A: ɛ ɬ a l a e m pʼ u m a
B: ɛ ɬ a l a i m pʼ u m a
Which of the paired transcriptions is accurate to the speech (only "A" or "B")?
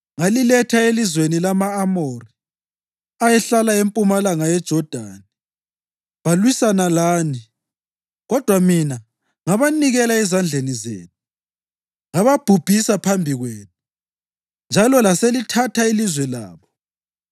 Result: A